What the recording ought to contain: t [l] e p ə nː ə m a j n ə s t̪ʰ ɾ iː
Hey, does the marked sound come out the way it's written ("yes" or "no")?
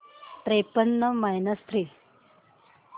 no